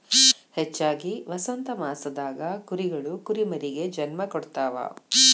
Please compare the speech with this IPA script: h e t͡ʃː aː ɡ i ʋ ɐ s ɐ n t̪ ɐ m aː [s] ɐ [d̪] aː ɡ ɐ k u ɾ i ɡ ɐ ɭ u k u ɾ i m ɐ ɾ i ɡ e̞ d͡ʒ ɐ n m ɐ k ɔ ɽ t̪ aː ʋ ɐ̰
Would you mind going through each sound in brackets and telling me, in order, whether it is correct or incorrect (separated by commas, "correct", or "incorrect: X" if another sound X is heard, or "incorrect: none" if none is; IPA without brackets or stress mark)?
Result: correct, correct